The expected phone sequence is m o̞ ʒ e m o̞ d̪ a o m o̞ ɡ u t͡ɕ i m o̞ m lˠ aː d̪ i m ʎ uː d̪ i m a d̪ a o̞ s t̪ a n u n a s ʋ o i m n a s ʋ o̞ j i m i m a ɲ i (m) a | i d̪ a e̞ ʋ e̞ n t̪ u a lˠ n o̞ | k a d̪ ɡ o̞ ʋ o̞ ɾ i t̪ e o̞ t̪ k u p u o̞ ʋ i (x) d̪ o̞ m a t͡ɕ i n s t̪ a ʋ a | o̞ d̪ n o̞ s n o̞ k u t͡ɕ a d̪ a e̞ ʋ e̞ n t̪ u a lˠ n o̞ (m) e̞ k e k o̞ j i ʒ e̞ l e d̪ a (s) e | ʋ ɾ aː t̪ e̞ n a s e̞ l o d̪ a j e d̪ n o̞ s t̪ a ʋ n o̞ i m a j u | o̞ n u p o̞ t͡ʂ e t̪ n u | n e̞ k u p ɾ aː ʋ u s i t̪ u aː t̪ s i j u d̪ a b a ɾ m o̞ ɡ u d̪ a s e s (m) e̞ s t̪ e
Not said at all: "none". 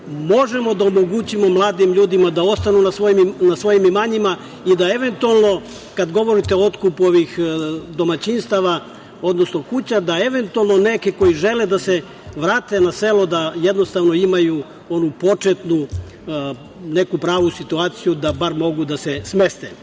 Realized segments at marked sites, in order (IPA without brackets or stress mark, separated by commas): m, x, n, s, m